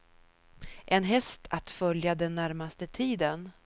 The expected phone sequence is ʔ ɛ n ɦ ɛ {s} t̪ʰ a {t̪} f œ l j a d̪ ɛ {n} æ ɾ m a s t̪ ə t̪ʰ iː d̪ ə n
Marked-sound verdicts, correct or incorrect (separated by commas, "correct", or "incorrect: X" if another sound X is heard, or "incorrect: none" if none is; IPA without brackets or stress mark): correct, correct, incorrect: nː